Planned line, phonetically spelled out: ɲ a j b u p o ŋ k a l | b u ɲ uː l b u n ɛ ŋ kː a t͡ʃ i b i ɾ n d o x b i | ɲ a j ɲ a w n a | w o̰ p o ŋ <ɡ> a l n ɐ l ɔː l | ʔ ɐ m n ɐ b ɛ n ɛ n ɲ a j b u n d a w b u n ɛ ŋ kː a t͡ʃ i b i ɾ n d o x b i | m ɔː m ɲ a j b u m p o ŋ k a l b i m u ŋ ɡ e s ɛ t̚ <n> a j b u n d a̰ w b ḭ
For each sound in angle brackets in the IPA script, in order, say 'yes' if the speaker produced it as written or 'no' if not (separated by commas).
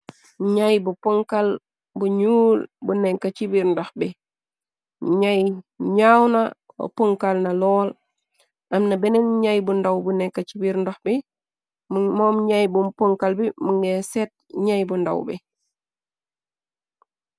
no, no